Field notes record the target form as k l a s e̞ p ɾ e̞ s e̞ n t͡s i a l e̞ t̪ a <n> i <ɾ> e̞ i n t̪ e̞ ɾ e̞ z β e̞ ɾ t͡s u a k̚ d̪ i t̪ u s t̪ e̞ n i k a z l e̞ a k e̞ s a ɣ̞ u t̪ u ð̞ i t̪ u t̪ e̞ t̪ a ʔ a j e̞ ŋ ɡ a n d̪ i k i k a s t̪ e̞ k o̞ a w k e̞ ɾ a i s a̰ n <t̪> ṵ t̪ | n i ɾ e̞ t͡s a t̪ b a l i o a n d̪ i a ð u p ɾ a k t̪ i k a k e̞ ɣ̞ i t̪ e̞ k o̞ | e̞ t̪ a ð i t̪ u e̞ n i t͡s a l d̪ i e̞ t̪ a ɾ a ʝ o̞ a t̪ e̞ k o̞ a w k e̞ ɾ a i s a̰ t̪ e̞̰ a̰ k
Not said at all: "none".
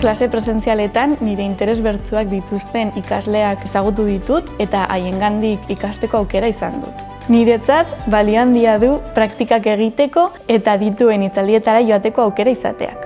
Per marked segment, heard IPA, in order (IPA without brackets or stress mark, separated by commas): nː, ɾ, d̪